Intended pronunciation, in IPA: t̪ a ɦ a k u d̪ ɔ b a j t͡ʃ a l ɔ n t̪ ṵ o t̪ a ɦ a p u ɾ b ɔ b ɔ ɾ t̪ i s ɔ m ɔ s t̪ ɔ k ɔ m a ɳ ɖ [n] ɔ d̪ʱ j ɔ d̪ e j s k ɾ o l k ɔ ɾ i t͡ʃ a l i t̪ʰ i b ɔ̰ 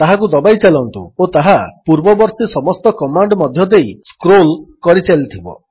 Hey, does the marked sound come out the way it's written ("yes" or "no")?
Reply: no